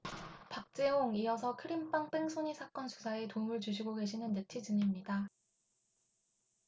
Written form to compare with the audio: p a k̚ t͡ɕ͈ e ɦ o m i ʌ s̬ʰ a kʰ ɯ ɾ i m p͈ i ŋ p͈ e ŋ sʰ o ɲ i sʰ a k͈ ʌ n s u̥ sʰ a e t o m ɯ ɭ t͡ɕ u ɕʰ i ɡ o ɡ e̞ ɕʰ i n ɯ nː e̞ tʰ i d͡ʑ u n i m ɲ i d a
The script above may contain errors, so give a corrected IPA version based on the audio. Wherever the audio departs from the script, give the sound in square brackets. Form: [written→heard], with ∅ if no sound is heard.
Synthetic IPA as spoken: p a k̚ t͡ɕ͈ e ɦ o [m→ŋ] i ʌ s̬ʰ [a→ʌ] kʰ ɯ ɾ i m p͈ [i→a] ŋ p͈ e ŋ sʰ o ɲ i sʰ a k͈ ʌ n s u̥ sʰ a e t o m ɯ ɭ t͡ɕ u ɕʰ i ɡ o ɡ e̞ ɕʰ i n ɯ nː e̞ tʰ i d͡ʑ [u→ɯ] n i m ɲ i d a